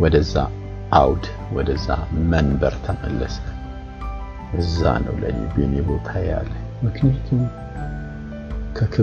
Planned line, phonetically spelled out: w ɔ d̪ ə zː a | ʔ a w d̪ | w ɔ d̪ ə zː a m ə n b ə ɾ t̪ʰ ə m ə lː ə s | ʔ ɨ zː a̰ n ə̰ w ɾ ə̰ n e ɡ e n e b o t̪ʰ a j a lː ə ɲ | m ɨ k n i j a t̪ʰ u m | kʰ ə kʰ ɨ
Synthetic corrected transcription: w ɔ d̪ ə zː a | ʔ a w d̪ | w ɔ d̪ ə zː a m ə n b ə ɾ t̪ʰ ə m ə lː ə s | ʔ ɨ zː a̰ n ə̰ w l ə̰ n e b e n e b o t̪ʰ a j a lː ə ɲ | m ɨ k n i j a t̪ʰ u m | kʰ ə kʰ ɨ